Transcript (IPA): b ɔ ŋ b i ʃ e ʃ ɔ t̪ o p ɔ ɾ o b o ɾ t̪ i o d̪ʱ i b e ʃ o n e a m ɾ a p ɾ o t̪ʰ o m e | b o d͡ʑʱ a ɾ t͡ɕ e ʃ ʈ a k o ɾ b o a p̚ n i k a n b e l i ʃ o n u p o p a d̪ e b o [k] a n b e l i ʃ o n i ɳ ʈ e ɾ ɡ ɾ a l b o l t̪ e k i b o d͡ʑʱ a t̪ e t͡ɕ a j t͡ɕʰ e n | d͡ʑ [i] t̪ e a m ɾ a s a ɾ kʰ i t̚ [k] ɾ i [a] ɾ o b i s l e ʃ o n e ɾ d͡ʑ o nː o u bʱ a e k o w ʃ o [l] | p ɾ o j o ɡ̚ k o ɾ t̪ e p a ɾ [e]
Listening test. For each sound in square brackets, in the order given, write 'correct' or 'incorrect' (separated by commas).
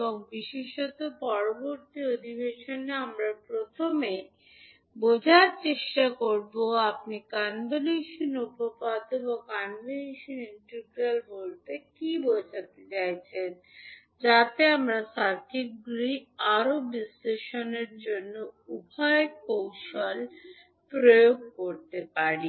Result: correct, incorrect, incorrect, correct, correct, incorrect